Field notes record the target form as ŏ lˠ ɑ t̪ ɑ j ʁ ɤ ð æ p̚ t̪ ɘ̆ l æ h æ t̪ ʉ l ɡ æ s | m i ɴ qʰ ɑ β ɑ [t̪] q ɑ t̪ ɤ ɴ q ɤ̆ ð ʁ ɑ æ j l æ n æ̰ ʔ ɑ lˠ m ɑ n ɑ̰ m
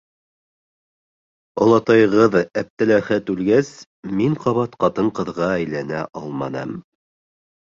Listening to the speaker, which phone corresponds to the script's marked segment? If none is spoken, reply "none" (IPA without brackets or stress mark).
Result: t̪